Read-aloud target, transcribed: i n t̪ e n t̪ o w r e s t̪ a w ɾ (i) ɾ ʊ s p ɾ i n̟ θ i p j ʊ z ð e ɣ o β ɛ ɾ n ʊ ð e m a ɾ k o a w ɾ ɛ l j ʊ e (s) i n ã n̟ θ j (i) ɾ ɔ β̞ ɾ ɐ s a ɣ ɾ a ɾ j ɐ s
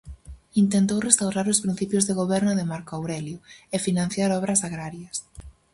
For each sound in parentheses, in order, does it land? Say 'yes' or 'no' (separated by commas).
no, no, no